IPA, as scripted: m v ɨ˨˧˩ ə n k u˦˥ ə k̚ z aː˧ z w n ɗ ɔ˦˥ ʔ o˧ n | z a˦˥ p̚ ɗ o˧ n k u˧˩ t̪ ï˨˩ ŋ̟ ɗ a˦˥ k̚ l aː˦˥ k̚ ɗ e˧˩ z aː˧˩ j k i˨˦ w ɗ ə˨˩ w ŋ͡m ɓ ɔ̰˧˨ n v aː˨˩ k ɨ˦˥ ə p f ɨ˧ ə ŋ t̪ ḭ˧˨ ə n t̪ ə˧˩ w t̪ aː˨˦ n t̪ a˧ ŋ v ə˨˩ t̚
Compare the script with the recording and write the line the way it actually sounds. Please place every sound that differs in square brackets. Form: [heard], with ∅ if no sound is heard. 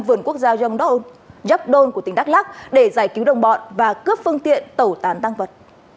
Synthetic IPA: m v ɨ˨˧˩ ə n k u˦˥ ə k̚ z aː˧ z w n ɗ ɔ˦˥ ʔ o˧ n | z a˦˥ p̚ ɗ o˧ n k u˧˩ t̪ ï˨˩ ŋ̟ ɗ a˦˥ k̚ l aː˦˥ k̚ ɗ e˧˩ z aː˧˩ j k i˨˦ w ɗ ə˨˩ w ŋ͡m ɓ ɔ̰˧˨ n v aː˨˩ k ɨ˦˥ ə p f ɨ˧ ə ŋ t̪ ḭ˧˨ ə n t̪ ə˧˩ w t̪ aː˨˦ n t̪ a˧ ŋ v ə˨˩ t̚